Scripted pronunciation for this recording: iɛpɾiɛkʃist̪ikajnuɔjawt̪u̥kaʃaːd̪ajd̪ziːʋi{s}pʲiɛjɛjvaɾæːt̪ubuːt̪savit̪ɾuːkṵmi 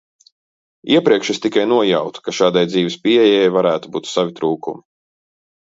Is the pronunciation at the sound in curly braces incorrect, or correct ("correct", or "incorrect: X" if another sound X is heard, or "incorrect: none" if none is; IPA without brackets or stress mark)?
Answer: correct